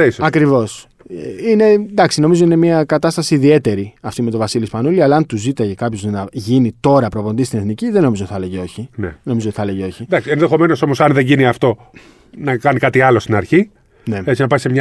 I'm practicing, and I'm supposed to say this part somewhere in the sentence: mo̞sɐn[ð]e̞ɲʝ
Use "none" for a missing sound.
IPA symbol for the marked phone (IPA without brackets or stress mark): ð